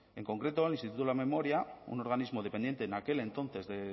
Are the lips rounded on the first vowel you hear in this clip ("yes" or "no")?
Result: no